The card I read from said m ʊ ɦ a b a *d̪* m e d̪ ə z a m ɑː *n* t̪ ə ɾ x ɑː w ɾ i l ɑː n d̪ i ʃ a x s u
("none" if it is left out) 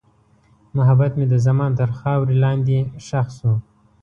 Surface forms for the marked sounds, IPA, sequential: t̪, n

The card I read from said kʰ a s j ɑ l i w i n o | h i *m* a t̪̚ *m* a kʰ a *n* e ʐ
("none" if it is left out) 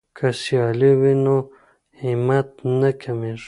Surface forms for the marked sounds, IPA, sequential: m, n, m

